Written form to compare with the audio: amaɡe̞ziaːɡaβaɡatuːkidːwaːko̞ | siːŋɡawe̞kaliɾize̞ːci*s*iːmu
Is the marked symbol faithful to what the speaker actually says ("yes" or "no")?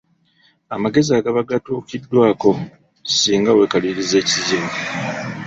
no